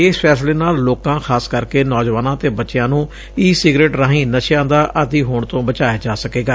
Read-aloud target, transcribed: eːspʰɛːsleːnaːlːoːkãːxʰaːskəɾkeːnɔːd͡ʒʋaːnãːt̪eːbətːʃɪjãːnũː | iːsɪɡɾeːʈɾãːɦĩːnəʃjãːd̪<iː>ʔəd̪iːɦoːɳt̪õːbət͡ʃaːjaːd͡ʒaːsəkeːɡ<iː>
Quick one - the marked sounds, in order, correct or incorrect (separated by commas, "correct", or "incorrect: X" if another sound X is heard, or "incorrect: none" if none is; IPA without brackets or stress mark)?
incorrect: aː, incorrect: aː